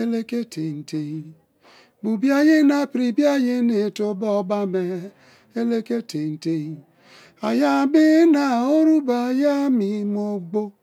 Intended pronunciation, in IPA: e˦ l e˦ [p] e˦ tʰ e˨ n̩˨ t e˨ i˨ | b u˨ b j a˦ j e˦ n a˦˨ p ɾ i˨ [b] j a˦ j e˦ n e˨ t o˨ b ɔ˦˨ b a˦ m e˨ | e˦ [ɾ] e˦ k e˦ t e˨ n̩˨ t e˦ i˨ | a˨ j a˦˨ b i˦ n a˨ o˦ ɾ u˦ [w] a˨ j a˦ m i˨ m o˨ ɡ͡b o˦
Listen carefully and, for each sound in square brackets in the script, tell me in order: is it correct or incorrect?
incorrect, correct, incorrect, incorrect

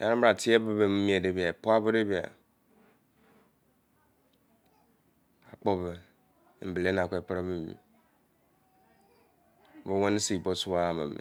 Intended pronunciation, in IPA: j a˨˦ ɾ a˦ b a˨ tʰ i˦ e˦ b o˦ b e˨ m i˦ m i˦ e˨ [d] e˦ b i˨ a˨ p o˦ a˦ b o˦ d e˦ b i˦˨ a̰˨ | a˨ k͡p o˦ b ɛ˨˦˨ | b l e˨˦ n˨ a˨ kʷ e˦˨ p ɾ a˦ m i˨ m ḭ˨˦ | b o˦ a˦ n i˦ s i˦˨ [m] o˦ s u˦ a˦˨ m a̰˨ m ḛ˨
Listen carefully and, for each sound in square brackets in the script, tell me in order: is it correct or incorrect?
correct, incorrect

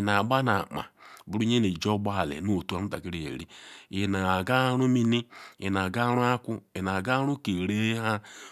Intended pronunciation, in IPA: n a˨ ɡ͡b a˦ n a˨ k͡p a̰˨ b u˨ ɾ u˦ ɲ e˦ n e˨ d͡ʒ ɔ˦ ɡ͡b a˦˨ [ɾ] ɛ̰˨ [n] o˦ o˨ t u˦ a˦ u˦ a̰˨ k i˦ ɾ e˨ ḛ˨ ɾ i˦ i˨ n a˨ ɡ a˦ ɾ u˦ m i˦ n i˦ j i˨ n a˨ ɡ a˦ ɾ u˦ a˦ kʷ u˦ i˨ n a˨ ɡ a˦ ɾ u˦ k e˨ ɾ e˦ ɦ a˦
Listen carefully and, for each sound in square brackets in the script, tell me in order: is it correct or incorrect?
incorrect, correct

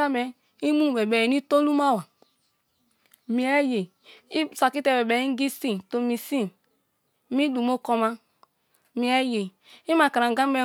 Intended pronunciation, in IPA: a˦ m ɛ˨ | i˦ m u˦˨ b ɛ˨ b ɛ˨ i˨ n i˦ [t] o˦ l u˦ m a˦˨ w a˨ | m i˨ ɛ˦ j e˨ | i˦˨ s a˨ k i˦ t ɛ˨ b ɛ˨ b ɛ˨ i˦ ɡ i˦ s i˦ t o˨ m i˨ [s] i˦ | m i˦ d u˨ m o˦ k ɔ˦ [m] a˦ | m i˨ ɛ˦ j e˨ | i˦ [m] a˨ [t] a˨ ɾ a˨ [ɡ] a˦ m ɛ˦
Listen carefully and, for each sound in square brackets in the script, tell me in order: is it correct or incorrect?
correct, correct, correct, correct, incorrect, correct

